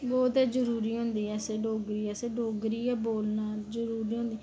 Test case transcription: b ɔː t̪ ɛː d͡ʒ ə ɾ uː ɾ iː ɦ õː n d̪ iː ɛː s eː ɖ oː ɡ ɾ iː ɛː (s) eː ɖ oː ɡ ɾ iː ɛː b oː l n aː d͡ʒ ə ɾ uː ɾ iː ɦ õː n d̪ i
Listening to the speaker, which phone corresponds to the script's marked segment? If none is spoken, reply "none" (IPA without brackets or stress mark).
s